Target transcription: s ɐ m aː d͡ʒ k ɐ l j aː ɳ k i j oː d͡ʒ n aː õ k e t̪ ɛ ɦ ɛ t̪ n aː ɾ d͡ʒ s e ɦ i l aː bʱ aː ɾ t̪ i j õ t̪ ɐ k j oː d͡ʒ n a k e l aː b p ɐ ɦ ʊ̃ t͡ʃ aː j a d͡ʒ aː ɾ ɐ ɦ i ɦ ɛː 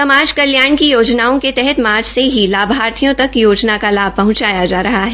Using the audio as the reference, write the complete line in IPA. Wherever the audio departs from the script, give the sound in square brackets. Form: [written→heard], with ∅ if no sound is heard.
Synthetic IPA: s ɐ m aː d͡ʒ k ɐ l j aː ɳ k i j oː d͡ʒ n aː õ k e t̪ ɛ ɦ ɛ t̪ [n→m] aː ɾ d͡ʒ s e ɦ i l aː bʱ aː ɾ [t̪→t̪ʰ] i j õ t̪ ɐ k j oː d͡ʒ n a k [e→a] l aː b p ɐ ɦ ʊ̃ t͡ʃ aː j a d͡ʒ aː ɾ ɐ ɦ [i→a] ɦ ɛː